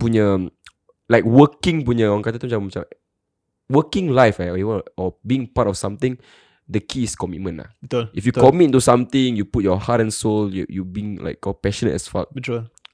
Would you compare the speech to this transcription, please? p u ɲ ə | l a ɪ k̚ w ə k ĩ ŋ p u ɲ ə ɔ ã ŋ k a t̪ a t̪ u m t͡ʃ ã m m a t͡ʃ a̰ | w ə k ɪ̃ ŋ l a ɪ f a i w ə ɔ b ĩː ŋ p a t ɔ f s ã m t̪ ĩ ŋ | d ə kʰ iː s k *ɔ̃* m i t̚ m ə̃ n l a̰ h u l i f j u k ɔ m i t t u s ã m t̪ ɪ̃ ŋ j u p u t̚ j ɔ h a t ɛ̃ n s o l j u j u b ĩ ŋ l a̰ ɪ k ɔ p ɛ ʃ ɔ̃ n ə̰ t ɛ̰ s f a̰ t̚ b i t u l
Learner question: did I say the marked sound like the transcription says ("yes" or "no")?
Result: no